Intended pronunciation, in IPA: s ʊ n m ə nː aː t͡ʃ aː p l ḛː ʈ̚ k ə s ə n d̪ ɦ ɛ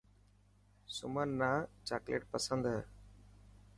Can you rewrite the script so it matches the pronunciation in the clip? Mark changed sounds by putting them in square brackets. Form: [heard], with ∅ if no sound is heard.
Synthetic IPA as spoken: s ʊ [∅] m ə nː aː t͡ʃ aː [k] l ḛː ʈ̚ [p] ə s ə n d̪ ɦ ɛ